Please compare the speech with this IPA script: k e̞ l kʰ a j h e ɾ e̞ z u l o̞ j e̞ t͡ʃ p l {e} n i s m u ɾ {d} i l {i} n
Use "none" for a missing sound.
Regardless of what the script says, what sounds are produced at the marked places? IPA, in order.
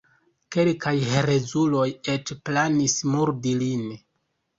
a, d, i

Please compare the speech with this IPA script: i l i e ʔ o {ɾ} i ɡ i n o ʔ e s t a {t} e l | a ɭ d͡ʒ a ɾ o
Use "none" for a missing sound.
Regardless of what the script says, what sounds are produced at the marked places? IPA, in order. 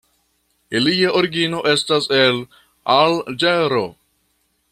ɾ, s

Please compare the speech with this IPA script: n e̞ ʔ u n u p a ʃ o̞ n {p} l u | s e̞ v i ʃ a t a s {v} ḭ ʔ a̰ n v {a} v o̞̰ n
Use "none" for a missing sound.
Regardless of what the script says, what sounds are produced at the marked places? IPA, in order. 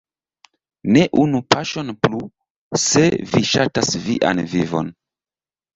p, v, i

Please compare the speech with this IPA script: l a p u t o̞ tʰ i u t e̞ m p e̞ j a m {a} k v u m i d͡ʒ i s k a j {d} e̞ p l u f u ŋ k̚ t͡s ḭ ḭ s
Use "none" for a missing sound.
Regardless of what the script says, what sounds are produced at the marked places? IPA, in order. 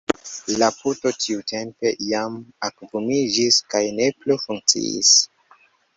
a, n

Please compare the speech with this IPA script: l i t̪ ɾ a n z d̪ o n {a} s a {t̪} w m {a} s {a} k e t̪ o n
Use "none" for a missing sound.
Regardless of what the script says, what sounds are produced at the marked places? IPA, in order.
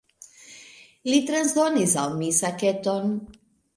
i, none, i, a

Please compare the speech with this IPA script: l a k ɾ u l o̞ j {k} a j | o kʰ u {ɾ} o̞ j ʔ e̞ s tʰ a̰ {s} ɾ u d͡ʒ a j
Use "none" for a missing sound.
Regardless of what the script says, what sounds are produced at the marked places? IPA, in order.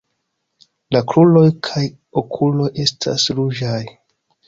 kʰ, l, s

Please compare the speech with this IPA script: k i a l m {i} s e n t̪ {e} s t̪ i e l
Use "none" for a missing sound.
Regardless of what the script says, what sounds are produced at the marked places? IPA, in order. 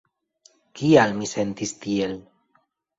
i, i

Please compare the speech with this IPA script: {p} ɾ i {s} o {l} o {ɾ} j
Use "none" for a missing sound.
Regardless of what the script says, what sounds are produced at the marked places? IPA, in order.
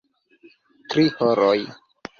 t, h, ɾ, none

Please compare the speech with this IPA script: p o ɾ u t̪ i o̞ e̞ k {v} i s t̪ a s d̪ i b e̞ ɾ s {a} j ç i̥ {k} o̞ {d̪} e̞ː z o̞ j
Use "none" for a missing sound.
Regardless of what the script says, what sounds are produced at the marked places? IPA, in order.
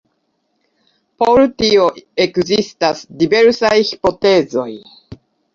z, a, p, t̪

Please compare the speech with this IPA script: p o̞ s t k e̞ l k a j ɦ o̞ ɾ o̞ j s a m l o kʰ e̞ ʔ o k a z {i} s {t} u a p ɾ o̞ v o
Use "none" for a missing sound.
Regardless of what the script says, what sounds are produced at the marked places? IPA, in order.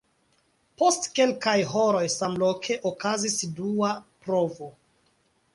i, d

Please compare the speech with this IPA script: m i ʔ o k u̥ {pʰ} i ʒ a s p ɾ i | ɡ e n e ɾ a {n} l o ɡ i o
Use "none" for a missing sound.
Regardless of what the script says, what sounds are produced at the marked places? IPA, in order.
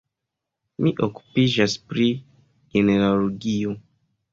p, none

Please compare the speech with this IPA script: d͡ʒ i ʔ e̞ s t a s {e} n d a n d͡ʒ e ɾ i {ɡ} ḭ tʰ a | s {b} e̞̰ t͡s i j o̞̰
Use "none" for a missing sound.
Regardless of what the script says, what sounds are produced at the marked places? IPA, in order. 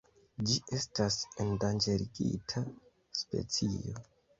e, ɡ, p

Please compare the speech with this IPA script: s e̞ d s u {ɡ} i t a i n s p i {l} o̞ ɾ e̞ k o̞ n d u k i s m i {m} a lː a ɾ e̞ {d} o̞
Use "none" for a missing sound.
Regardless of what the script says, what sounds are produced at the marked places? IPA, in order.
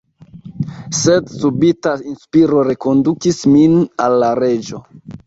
b, ɾ, n, d͡ʒ

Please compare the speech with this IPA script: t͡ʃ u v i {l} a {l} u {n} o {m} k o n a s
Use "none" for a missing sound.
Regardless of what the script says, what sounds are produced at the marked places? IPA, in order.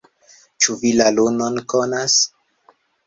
l, l, n, n

